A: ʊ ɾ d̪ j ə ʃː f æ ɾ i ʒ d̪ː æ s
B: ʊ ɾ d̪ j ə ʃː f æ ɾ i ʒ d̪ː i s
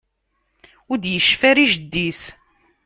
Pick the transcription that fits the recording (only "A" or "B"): B